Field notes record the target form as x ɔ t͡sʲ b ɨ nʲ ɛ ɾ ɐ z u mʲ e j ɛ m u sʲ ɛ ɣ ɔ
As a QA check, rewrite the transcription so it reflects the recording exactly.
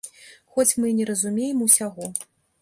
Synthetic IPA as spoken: x ɔ t͡sʲ m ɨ nʲ ɛ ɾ ɐ z u mʲ e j ɛ m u sʲ a ɣ ɔ